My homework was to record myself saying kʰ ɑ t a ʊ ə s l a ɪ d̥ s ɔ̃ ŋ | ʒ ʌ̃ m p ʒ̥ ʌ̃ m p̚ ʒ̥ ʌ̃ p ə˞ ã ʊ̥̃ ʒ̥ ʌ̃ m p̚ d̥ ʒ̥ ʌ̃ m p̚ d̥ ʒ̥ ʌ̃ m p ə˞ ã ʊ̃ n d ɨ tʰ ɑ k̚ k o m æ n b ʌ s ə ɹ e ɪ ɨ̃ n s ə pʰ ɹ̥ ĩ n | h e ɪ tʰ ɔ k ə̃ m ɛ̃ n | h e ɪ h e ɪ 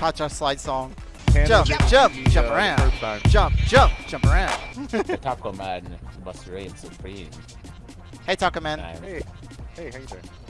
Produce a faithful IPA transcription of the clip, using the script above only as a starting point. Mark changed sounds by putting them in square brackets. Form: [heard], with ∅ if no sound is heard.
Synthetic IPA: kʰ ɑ [t͡ʃ] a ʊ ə s l a ɪ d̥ s ɔ̃ ŋ | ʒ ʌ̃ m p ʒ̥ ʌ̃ m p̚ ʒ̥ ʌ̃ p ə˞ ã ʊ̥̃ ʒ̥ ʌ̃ m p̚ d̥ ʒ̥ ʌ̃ m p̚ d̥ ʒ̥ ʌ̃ m p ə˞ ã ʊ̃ n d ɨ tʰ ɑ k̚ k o m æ n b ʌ s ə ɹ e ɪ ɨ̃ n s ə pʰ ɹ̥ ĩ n | h e ɪ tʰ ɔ k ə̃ m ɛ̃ n | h e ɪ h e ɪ